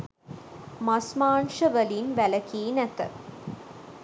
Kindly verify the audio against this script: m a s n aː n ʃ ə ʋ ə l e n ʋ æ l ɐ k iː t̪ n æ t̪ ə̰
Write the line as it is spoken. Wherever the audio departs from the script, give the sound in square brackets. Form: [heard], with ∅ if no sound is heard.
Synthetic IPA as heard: m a s [m] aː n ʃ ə ʋ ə l [i] n ʋ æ l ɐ k iː [∅] n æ t̪ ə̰